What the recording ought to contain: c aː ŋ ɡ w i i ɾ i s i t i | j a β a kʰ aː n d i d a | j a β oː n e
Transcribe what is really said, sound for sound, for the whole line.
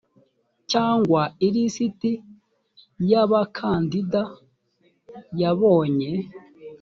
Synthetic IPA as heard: c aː ŋ ɡ w a i ɾ i s i t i | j a β a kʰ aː n d i d a | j a β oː ɲ e